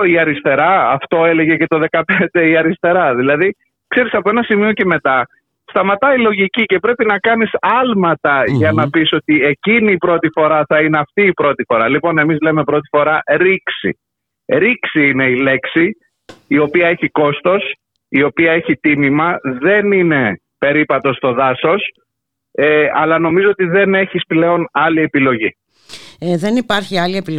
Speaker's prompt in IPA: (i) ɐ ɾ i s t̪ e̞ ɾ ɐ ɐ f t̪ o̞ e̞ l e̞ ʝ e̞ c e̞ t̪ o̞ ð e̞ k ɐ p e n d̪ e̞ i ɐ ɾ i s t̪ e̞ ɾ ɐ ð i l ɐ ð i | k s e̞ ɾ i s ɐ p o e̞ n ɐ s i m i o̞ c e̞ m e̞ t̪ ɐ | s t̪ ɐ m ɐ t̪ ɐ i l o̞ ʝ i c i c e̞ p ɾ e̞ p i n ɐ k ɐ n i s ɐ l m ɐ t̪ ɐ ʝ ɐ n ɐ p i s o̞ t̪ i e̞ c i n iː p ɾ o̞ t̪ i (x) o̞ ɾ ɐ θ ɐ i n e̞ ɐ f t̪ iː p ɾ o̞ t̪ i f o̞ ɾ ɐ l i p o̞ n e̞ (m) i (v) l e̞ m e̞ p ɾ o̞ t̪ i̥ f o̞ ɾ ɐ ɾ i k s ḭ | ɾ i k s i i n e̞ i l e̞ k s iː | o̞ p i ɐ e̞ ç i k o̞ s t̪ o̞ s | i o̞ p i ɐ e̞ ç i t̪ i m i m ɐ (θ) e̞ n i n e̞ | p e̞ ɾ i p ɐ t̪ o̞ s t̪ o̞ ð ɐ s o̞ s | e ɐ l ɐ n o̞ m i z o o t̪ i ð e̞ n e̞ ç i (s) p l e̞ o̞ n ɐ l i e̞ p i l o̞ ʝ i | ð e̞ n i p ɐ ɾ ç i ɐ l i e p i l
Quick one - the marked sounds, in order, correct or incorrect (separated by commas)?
correct, incorrect, correct, incorrect, incorrect, correct